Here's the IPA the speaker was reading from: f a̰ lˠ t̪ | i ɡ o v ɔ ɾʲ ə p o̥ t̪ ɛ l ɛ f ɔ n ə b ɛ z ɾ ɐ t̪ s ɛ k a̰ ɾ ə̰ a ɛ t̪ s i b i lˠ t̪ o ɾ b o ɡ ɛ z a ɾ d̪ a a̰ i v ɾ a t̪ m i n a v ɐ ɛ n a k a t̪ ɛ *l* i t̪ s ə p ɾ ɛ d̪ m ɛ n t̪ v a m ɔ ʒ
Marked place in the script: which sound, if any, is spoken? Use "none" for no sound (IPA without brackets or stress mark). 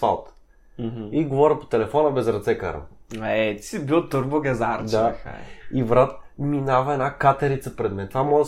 ɾ